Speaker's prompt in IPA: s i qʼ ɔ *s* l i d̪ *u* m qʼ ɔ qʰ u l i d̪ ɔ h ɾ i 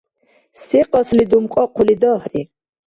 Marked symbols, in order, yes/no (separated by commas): yes, yes